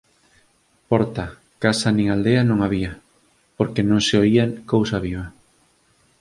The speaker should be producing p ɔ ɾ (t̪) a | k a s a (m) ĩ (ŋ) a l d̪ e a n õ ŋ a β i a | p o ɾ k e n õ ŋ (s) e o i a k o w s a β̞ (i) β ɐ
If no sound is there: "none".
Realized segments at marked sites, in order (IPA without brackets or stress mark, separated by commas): t̪, n, ŋ, s, i